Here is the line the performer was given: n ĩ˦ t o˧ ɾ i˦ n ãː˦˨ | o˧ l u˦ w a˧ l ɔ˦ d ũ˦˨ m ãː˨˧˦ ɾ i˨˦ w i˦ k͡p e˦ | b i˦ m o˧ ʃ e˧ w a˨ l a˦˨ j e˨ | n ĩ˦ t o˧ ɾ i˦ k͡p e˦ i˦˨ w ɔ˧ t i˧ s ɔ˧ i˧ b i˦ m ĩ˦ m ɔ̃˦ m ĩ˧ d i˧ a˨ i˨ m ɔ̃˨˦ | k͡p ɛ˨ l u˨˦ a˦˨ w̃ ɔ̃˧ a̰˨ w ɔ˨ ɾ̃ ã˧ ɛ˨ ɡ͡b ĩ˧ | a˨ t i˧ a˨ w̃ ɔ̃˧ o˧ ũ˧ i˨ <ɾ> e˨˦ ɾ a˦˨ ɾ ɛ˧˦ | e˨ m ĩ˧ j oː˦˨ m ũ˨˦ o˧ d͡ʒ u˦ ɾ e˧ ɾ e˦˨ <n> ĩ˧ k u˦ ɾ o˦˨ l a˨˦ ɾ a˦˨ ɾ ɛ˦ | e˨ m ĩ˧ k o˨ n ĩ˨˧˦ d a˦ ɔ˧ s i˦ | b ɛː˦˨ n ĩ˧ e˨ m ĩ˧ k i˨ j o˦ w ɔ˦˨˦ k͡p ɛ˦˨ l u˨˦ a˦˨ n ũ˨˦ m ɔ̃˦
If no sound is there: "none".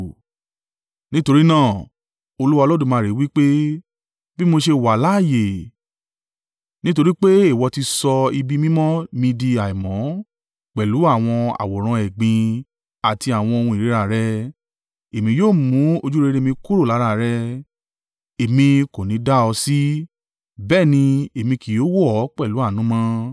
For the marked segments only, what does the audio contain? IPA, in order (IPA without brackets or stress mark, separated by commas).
ɾ, m